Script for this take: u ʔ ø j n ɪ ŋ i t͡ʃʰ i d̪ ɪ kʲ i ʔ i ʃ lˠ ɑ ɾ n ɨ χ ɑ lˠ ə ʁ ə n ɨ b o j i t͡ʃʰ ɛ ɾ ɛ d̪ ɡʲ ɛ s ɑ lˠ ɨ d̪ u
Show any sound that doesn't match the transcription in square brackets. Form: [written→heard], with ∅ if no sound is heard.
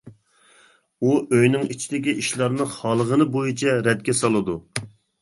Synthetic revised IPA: u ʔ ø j n ɪ ŋ i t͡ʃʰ i d̪ ɪ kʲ i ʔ i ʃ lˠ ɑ ɾ n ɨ χ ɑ lˠ ə ʁ ə n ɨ b o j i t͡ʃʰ ɛ ɾ ɛ d̪ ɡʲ ɛ s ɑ lˠ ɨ d̪ u